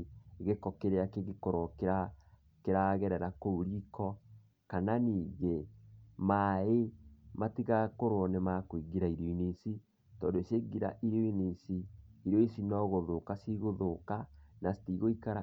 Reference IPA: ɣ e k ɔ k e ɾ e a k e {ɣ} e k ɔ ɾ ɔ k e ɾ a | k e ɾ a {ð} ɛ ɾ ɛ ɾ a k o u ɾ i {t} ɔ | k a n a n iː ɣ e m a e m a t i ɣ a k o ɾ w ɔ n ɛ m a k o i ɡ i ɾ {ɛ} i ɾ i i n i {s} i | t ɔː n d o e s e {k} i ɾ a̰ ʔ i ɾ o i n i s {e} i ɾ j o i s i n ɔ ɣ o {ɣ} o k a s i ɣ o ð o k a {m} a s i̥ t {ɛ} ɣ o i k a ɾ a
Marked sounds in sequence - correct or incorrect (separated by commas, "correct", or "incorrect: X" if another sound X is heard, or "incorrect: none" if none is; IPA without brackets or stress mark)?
correct, incorrect: ɣ, incorrect: k, incorrect: a, correct, incorrect: ɡ, incorrect: i, incorrect: ð, incorrect: n, incorrect: i